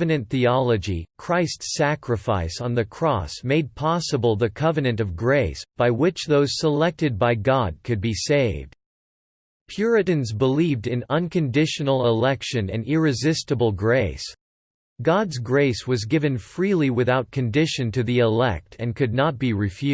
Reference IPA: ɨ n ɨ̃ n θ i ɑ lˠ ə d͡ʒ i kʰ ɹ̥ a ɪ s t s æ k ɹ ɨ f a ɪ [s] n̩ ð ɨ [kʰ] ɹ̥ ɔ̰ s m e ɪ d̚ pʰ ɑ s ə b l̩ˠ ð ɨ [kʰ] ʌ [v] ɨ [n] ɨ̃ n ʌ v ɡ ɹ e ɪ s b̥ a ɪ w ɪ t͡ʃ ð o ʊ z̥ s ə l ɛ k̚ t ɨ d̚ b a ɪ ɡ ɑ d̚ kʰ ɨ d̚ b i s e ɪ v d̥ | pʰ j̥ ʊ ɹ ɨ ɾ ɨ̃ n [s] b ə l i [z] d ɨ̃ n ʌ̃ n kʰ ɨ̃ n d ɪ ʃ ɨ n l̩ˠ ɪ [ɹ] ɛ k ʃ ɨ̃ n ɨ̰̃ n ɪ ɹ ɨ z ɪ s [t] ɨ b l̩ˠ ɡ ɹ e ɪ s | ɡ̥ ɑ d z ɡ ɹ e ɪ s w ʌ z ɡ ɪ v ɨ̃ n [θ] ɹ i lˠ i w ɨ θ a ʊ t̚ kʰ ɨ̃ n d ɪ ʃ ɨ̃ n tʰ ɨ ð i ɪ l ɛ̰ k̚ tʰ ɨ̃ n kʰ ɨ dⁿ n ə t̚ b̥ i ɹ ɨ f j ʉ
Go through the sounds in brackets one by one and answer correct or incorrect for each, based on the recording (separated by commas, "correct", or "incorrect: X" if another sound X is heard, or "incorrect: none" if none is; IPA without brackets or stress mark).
correct, correct, correct, correct, correct, incorrect: z, incorrect: v, incorrect: l, correct, incorrect: f